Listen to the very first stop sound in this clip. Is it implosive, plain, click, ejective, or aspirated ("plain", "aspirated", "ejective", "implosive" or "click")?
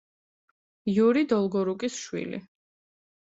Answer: plain